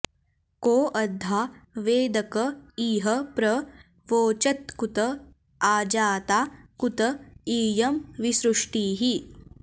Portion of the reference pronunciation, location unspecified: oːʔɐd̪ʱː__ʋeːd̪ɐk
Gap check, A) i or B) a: B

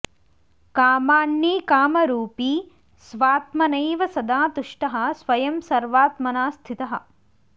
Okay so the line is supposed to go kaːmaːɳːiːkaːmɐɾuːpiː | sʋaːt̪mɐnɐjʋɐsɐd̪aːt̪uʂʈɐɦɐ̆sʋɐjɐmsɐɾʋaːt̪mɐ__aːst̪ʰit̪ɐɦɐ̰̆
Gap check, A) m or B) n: B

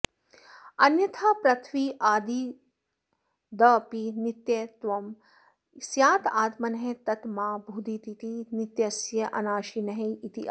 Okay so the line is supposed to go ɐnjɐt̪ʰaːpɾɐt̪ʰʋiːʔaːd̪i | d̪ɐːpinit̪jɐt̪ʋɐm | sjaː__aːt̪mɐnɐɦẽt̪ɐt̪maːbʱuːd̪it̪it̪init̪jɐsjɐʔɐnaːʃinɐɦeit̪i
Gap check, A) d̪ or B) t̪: B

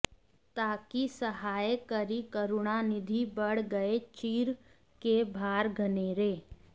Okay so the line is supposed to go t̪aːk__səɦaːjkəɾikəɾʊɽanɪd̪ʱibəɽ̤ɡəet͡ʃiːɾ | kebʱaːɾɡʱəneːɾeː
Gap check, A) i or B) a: A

